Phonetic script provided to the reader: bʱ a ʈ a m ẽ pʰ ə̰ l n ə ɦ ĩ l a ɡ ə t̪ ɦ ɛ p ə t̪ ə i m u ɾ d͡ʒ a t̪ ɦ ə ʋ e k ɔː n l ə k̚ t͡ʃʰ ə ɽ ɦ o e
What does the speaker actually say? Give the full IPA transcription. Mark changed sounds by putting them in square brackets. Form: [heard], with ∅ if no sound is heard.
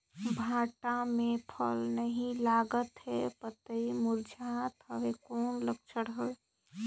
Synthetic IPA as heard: bʱ a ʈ a m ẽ pʰ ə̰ l n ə ɦ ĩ l a ɡ ə t̪ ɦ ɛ p ə t̪ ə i m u ɾ d͡ʒ a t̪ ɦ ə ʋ e k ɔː n l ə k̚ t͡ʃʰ ə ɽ ɦ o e